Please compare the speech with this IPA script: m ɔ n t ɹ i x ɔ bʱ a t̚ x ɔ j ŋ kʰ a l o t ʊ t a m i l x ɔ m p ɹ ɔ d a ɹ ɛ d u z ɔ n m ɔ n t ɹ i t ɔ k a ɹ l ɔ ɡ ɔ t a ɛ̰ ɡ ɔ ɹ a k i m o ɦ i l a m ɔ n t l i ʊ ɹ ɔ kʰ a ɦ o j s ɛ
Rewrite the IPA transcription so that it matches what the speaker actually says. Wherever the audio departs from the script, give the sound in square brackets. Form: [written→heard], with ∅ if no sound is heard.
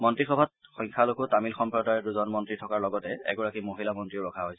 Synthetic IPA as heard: m ɔ n t ɹ i x ɔ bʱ a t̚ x ɔ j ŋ kʰ a l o [t→k] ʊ t a m i l x ɔ m p ɹ ɔ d a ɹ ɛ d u z ɔ n m ɔ n t ɹ i [t→tʰ] ɔ k a ɹ l ɔ ɡ ɔ t [a→ɛ] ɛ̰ ɡ ɔ ɹ a k i m o ɦ i l a m ɔ n t [l→ɹ] i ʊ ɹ ɔ kʰ a ɦ o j s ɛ